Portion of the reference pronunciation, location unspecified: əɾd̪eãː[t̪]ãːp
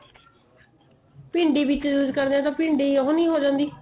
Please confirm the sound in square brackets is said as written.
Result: yes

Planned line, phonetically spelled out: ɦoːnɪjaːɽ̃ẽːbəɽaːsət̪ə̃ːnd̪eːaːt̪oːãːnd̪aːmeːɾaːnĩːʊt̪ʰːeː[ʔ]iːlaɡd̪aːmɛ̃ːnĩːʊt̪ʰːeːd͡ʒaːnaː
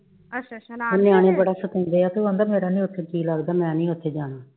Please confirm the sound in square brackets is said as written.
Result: no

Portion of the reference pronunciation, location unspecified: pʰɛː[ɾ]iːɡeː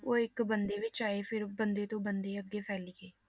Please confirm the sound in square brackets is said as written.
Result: no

